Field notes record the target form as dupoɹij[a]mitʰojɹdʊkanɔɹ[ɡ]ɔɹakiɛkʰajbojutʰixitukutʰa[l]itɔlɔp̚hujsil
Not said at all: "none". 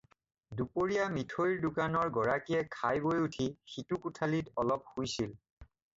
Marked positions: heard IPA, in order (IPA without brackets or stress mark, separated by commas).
a, ɡ, l